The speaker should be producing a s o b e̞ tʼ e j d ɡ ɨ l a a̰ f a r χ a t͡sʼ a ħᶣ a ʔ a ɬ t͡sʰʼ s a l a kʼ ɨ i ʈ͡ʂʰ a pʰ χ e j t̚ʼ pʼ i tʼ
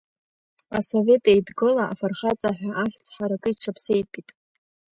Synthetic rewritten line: a s o v e̞ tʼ e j d ɡ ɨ l a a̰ f a r χ a t͡sʼ a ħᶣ a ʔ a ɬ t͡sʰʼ ħ a ɾ a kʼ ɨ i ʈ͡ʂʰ a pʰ s e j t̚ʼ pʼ i tʼ